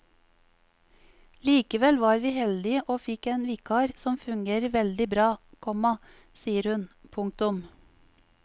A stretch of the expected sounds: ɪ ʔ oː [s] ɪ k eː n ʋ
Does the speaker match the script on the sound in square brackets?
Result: no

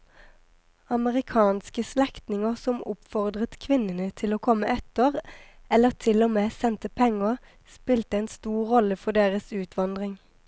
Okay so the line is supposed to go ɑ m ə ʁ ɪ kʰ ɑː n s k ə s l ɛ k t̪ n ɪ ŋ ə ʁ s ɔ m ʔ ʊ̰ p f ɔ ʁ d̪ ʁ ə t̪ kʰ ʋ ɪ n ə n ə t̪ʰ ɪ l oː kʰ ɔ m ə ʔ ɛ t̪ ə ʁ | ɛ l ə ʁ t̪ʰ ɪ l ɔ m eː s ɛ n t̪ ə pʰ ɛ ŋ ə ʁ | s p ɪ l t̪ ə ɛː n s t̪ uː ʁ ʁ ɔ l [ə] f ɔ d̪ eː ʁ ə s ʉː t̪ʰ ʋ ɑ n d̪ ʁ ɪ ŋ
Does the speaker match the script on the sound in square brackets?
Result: yes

